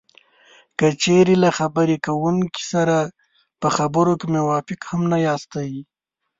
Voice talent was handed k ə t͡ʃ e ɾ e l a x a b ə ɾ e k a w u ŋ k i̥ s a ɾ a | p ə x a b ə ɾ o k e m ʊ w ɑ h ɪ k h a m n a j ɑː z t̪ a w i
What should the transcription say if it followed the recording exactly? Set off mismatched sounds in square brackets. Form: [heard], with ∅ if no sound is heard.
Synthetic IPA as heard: k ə t͡ʃ e ɾ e l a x a b ə ɾ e k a w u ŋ k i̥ s a ɾ a | p ə x a b ə ɾ o k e m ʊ w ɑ [f] ɪ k h a m n a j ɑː [s] t̪ a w i

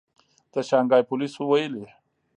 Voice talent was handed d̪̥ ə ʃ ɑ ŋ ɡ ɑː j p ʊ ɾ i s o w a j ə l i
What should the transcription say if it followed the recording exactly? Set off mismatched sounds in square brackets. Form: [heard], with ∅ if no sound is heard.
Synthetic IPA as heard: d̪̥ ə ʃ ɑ ŋ ɡ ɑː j p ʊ [l] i s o w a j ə l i

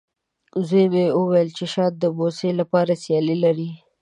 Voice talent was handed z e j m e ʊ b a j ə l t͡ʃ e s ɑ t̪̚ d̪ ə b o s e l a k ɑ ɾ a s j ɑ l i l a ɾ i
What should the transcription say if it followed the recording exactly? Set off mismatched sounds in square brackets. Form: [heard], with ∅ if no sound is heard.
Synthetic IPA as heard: z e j m e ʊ [w] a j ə l t͡ʃ e [ʃ] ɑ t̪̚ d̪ ə b o s e l a [p] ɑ ɾ a s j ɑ l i l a ɾ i

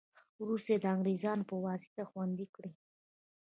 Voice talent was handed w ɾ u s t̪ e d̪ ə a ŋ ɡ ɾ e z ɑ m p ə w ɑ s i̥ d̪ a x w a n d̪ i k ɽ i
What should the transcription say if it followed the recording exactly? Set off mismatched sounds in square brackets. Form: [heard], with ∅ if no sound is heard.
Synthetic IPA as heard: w ɾ u s t̪ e d̪ ə a ŋ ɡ ɾ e z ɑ [n] p ə w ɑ s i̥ [t̪] a x w a n d̪ i k ɽ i

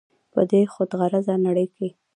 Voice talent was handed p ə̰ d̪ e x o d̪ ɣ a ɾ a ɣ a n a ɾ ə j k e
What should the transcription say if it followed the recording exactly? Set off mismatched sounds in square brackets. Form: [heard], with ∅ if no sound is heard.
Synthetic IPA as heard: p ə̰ d̪ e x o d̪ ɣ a ɾ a [z] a n a [ɽ] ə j k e

